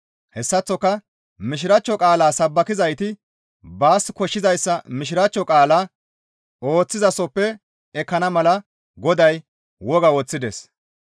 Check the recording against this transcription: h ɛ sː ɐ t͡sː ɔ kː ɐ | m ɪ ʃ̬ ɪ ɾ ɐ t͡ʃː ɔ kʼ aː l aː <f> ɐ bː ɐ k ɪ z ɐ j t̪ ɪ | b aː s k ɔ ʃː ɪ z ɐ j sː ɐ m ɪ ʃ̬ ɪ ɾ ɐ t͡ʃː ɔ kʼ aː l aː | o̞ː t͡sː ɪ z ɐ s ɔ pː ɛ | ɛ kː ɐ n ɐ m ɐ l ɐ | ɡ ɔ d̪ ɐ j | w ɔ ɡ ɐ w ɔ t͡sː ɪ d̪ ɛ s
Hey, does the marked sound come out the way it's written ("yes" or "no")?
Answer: no